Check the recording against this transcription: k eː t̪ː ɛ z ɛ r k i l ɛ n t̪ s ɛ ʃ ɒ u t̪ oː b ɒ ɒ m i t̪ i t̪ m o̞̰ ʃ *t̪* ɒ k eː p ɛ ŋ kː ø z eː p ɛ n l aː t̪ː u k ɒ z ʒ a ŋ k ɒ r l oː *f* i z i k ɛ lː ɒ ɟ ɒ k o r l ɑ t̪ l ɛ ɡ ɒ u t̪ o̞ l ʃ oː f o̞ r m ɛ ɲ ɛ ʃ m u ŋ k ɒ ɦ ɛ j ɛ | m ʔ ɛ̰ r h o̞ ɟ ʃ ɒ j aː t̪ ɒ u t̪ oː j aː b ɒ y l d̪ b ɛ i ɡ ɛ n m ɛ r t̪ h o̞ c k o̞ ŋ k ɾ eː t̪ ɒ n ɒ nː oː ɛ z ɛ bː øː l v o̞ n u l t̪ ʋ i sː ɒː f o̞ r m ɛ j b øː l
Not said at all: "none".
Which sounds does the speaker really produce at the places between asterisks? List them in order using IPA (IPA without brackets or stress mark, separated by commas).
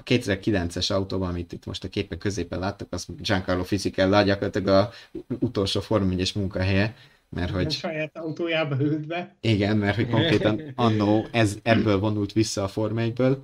t̪, f